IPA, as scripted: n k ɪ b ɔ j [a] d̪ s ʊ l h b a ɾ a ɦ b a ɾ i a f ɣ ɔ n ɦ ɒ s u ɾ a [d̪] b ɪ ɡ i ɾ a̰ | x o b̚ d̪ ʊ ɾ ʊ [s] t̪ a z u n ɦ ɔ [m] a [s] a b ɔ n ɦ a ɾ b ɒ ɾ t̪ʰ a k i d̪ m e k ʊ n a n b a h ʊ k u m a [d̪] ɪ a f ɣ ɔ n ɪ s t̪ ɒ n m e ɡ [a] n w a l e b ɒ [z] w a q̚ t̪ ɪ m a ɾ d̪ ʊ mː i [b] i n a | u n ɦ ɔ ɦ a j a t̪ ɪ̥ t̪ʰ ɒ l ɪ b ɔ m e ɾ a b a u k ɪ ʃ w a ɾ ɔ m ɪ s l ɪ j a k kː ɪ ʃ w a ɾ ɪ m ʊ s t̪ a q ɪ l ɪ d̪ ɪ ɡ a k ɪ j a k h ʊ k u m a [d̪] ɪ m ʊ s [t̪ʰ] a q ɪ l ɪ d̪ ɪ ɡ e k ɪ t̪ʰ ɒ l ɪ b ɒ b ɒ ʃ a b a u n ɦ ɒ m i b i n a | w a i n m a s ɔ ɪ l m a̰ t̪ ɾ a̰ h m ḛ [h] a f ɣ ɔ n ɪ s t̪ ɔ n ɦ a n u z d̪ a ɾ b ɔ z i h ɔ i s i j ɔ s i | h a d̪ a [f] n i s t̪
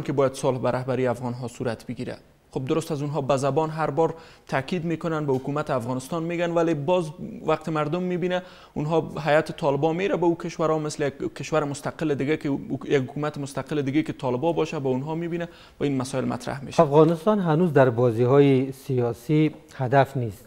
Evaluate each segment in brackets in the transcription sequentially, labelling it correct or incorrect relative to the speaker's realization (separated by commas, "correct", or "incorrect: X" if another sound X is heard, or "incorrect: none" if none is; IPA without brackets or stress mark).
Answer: correct, incorrect: t̪, correct, incorrect: b, incorrect: z, incorrect: t̪, correct, correct, correct, incorrect: t̪, incorrect: t̪, incorrect: ʃ, correct